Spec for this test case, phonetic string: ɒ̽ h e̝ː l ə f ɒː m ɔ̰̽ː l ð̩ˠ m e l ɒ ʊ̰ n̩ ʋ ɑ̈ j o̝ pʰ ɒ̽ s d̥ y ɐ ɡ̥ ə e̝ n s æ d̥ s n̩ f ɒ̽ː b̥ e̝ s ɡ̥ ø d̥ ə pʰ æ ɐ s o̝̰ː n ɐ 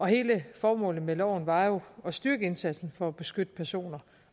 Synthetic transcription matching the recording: ɒ̽ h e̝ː l ə f ɒː m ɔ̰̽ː l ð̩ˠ m e l ɒ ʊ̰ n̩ ʋ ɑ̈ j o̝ ɒ̽ s d̥ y ɐ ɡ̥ ə e̝ n s æ d̥ s n̩ f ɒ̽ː b̥ e̝ s ɡ̥ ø d̥ ə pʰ æ ɐ s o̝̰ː n ɐ